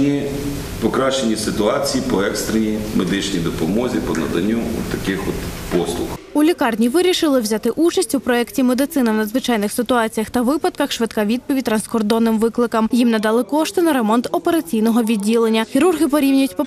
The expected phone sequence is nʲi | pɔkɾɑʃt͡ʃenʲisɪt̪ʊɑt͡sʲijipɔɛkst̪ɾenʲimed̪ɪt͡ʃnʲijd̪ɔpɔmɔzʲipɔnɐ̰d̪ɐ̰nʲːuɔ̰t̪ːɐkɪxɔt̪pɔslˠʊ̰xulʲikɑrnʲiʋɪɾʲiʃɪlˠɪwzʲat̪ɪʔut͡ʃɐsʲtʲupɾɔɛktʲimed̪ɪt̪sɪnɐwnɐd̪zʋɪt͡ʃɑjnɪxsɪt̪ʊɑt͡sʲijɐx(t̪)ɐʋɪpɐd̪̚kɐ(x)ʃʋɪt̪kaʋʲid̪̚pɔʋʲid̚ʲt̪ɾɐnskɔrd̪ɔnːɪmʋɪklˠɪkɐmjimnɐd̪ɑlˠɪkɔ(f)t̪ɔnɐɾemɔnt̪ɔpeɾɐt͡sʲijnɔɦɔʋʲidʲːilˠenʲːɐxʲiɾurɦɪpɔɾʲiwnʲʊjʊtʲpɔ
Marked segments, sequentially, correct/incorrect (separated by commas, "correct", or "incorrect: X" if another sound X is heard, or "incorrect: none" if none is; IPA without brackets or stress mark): correct, correct, incorrect: ʃ